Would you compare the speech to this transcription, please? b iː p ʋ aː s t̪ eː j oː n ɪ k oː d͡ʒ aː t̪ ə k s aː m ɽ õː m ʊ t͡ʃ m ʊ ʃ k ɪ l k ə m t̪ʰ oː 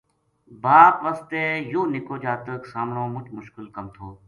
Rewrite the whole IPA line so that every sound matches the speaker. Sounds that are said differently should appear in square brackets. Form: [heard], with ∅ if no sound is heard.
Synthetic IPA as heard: b [aː] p ʋ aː s t̪ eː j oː n ɪ k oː d͡ʒ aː t̪ ə k s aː m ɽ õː m ʊ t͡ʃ m ʊ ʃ k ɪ l k ə m t̪ʰ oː